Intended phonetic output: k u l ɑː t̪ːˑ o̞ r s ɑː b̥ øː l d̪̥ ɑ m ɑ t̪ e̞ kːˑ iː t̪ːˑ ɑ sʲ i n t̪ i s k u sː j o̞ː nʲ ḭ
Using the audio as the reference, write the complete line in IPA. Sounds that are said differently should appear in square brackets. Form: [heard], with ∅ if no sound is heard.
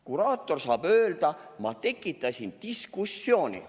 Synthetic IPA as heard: k u [ɾ] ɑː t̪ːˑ o̞ r s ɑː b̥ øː l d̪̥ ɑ m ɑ t̪ e̞ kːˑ [i] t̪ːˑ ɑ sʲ i n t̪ i s k u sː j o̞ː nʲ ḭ